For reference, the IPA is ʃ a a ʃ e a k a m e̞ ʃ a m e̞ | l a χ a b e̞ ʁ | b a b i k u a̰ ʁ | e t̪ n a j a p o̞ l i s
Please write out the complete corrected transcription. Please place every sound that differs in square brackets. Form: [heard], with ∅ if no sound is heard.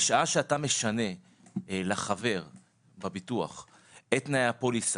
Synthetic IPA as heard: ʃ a a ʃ e a [t] a m e̞ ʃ a [n] e̞ | l a χ a [v] e̞ ʁ | b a b i [t] u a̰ [χ] | e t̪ n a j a p o̞ l i s